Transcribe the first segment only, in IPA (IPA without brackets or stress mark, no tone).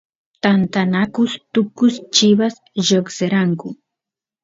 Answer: t̪